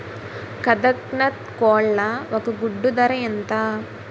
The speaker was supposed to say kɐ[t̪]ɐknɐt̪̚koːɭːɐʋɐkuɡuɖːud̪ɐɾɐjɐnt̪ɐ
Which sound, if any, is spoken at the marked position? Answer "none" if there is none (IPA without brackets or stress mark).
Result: d̪